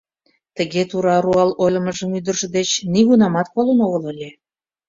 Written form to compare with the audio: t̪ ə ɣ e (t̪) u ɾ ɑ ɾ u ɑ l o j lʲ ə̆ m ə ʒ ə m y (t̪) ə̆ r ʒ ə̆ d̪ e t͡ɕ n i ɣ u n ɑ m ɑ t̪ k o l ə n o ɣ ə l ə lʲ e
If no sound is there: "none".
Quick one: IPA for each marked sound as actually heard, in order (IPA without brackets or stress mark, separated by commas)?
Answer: t̪, d̪